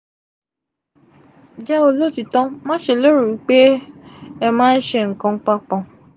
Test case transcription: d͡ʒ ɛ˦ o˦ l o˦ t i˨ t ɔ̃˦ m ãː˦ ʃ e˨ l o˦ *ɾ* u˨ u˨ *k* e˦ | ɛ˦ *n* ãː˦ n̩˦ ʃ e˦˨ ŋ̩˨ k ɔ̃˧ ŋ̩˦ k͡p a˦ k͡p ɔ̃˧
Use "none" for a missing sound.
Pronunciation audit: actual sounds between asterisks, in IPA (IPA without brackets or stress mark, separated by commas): ɾ, k͡p, m